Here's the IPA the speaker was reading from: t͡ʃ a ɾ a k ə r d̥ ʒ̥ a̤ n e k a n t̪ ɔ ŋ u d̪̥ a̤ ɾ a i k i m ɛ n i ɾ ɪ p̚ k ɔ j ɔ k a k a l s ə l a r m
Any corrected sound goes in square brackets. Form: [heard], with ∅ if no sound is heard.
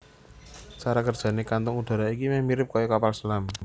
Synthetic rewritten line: t͡ʃ a ɾ a k ə r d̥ ʒ̥ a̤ n e k a n t̪ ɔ ŋ u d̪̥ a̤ ɾ a i k i m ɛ [m] i ɾ ɪ p̚ k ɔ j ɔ k a [p] a l s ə l a [∅] m